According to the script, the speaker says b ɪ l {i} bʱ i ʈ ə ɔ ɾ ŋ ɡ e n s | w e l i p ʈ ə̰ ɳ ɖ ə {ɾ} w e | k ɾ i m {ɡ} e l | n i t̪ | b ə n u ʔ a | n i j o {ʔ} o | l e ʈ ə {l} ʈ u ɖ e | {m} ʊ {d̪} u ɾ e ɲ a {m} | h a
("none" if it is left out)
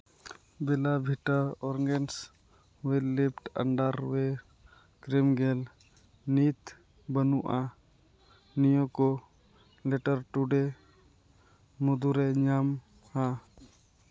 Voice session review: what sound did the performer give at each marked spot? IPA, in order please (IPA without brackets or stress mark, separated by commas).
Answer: a, ɾ, ɡ, k, ɾ, m, d̪, m